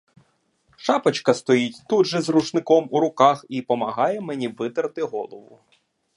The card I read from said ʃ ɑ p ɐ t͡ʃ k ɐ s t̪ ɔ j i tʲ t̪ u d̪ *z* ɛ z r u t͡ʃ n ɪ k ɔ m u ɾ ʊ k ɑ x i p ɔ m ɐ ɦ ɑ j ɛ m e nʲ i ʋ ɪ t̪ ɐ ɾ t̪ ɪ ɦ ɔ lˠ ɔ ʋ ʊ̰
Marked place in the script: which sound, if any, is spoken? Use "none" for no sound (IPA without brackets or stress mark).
ʒ